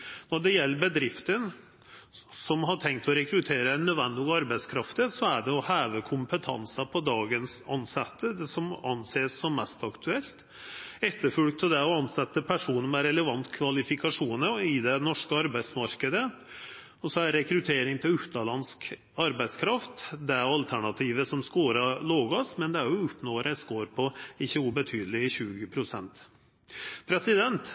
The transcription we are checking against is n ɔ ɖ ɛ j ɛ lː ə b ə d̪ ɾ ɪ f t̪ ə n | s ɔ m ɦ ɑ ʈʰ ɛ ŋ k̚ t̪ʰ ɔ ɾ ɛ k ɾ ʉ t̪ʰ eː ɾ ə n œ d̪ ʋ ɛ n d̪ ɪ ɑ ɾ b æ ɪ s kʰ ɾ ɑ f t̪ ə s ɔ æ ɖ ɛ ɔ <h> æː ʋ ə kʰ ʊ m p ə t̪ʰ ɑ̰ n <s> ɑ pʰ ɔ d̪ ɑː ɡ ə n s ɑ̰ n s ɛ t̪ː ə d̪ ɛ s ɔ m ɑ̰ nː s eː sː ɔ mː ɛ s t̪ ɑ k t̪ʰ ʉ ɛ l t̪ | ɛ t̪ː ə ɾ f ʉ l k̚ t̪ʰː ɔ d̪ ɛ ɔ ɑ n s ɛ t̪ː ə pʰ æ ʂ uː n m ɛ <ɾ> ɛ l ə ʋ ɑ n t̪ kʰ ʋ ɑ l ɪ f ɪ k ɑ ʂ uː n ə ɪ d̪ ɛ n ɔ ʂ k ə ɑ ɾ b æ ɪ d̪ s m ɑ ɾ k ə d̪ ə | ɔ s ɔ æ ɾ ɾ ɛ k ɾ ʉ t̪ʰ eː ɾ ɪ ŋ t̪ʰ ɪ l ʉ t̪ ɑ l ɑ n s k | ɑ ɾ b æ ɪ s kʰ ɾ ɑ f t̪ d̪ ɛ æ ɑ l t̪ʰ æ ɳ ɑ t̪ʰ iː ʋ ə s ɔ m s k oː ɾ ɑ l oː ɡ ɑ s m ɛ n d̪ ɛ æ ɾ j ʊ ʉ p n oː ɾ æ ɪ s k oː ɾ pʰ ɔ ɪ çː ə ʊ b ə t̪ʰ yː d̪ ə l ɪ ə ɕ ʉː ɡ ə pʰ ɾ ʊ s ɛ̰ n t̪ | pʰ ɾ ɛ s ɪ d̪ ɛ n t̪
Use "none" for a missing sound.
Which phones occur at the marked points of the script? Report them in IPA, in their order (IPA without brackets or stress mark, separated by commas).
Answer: h, s, ɾ